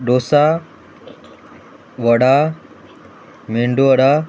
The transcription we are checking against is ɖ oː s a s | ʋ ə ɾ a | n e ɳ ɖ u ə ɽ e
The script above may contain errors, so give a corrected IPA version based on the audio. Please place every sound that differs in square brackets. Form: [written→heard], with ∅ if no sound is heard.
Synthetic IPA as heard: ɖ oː s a [s→∅] | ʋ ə [ɾ→ɽ] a | [n→m] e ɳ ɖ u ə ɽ [e→a]